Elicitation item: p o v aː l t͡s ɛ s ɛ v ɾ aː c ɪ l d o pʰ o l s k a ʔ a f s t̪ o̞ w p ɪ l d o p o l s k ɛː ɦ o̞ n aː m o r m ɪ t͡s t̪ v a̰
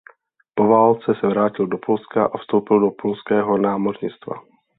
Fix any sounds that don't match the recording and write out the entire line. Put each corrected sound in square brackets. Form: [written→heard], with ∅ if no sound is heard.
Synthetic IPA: p o v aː l t͡s ɛ s ɛ v ɾ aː c ɪ l d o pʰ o l s k a ʔ a f s t̪ o̞ w p ɪ l d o p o l s k ɛː ɦ o̞ n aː m o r [m→ɲ] ɪ t͡s t̪ v a̰